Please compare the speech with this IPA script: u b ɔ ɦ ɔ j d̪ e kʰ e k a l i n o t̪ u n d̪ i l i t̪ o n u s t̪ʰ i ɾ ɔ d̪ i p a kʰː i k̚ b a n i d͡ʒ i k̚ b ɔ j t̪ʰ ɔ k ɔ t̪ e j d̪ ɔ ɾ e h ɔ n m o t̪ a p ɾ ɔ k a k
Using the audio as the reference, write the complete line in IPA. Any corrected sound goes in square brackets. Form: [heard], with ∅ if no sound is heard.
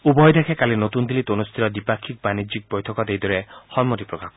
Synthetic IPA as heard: u b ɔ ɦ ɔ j d̪ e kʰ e k a l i n o t̪ u n d̪ i l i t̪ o n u s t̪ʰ i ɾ ɔ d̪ i p a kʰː i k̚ b a n i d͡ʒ i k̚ b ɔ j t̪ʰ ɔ k ɔ [d̪] e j d̪ ɔ ɾ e h ɔ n m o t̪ [i] p ɾ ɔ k a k